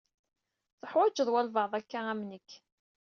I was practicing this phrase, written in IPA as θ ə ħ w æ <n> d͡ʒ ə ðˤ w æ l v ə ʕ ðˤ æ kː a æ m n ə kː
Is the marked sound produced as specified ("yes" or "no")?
no